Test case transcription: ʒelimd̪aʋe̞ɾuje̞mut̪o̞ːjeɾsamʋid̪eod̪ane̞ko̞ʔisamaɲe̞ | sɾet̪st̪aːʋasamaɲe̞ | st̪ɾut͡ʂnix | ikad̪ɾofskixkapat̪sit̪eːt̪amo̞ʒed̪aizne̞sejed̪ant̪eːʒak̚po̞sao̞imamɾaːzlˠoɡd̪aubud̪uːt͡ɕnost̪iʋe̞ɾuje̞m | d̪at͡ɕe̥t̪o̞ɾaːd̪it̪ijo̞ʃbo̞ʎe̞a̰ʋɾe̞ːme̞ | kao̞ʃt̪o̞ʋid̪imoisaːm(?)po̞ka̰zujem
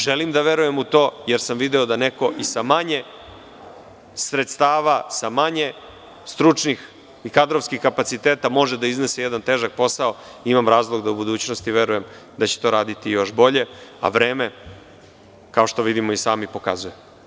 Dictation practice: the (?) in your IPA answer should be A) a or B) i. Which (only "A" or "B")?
B